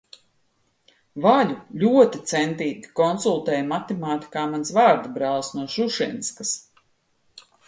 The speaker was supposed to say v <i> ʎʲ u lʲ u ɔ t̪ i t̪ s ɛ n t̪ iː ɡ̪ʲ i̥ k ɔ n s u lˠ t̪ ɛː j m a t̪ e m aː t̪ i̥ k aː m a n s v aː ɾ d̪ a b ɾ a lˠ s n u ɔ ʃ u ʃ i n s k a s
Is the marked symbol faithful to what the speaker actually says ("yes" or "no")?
no